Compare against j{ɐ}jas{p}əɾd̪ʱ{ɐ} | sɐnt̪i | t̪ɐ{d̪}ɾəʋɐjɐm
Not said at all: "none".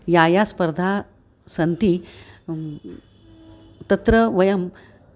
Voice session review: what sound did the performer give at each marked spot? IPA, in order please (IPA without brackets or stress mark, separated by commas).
a, p, a, t̪